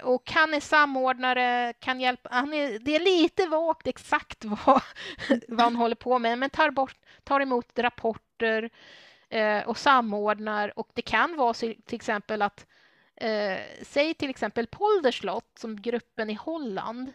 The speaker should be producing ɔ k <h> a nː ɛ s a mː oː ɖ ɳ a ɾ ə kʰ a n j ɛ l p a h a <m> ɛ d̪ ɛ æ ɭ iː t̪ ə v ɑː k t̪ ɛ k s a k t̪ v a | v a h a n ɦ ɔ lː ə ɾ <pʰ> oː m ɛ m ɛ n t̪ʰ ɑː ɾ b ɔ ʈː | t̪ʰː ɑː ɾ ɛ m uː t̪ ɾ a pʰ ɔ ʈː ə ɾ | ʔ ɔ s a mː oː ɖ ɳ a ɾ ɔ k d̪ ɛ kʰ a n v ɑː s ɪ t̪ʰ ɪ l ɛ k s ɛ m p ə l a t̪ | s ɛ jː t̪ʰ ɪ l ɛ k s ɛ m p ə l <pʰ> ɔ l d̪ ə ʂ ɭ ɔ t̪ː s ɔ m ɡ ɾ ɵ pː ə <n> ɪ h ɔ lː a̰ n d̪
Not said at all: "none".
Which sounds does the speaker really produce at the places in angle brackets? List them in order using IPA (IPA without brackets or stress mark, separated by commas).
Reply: h, n, pʰ, pʰ, n